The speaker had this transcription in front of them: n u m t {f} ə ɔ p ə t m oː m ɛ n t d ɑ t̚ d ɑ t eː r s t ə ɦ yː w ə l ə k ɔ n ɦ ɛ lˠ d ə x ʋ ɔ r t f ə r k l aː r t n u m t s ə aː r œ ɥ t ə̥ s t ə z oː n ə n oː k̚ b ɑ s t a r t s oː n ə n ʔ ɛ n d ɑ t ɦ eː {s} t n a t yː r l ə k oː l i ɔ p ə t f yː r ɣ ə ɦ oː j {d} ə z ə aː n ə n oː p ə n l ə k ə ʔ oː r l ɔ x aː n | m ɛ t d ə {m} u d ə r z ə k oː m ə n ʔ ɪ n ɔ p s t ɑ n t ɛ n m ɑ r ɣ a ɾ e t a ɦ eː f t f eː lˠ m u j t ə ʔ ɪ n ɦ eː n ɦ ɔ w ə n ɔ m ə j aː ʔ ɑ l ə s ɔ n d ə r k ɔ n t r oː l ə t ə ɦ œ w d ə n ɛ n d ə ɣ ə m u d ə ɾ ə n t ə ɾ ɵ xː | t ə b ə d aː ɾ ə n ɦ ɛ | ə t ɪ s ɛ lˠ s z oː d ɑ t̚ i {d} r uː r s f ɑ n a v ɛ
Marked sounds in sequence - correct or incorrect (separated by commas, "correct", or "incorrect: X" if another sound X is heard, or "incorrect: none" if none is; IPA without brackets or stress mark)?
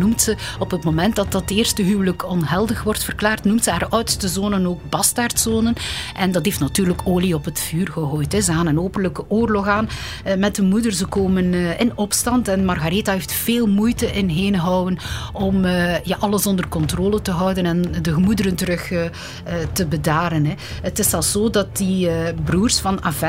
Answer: incorrect: s, incorrect: f, incorrect: t, correct, incorrect: b